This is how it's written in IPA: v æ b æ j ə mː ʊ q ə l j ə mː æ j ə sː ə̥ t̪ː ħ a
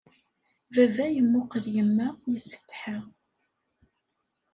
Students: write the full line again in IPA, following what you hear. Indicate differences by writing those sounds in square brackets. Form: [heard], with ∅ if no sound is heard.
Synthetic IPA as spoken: v æ [v] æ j ə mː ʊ q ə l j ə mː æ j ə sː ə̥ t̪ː ħ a